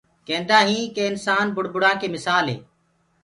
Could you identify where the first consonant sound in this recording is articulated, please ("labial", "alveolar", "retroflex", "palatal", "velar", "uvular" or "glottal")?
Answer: velar